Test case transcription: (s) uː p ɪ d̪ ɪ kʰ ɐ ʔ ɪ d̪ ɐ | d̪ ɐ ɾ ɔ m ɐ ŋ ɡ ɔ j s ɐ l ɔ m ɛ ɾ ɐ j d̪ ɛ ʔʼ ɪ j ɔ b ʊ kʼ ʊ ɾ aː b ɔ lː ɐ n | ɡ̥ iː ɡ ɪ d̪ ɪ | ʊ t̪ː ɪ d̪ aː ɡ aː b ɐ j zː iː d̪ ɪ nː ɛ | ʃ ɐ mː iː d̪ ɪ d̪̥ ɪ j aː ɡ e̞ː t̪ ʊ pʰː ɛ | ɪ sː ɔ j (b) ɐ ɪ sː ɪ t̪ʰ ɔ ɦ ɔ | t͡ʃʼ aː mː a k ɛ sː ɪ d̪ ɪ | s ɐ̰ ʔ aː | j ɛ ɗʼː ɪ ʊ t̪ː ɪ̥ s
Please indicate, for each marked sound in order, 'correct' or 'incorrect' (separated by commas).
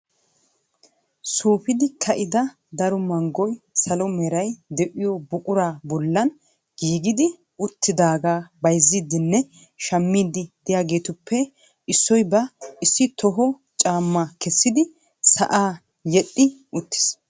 correct, correct